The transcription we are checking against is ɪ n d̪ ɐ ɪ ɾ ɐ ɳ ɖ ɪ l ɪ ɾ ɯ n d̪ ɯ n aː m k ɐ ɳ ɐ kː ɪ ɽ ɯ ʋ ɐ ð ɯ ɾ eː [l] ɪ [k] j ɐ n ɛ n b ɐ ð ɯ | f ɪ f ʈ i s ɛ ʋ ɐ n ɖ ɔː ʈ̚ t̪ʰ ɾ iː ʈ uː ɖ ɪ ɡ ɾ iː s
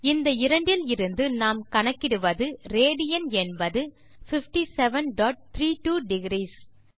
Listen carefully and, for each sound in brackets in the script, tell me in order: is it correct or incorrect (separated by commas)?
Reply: incorrect, incorrect